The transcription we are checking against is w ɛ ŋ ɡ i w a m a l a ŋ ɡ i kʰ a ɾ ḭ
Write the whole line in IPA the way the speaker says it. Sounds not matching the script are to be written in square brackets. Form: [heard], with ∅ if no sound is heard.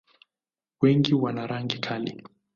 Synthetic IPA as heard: w ɛ ŋ ɡ i w a [n] a [ɾ] a ŋ ɡ i kʰ a [l] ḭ